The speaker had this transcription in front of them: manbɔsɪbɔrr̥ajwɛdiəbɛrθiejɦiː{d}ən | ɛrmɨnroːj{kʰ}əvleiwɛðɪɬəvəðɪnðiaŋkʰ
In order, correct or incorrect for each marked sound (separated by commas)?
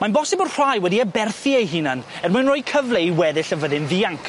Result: incorrect, correct